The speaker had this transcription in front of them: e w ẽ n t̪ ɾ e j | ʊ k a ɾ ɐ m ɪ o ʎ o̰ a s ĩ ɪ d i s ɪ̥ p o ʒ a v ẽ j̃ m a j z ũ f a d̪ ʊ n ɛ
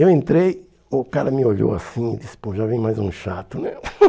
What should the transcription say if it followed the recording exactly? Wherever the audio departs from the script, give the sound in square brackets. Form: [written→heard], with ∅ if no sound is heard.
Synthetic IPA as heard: e w ẽ n t̪ ɾ e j | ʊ k a ɾ ɐ m ɪ o ʎ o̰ a s ĩ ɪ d i s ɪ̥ p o ʒ a v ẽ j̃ m a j z ũ [f→ʃ] a [d̪→t̪] ʊ n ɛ